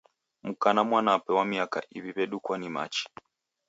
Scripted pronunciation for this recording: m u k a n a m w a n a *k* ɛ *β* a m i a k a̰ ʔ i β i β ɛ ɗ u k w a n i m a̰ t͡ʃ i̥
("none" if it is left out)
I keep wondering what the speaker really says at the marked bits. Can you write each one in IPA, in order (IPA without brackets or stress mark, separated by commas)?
p, w